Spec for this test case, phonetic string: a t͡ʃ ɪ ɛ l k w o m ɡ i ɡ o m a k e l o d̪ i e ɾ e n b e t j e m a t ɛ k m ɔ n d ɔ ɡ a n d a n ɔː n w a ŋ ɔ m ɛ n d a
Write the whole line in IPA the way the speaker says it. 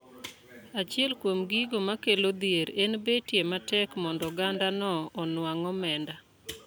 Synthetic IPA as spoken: a t͡ʃ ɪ ɛ l k w o m ɡ i ɡ o m a k e l o d̪ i e ɾ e n b e t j e m a t ɛ k m ɔ n d ɔ ɡ a n d a n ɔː n w a ŋ ɔ m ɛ n d a